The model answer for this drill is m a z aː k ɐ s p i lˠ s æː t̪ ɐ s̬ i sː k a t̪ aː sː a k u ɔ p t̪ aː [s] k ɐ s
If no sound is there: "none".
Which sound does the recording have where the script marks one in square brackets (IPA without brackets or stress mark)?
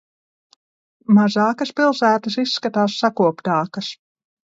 none